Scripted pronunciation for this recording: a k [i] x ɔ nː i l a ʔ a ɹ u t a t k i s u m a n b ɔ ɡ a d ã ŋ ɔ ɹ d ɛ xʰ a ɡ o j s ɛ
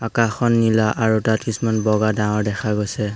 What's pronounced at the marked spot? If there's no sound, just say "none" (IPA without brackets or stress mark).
a